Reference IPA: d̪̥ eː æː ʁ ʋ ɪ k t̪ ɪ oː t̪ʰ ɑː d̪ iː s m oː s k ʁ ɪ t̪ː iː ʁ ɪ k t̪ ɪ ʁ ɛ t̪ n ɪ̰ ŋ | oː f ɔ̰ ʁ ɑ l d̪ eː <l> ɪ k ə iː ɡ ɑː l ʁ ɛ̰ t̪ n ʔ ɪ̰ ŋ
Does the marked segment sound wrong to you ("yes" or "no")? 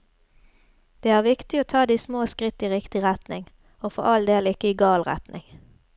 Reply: no